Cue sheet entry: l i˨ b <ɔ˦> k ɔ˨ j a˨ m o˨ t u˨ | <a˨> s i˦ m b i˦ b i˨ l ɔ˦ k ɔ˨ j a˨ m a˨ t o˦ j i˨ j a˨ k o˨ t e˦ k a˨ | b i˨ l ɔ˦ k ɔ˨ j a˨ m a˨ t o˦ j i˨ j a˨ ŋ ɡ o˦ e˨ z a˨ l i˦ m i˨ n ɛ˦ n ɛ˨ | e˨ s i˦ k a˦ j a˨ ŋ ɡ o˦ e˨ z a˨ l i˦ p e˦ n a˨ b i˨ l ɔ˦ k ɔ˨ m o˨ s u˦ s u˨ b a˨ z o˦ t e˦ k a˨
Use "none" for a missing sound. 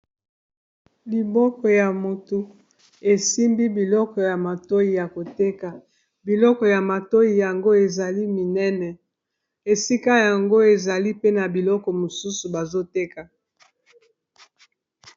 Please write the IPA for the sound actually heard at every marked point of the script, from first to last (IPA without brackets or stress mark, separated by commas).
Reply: ɔ˦, e˨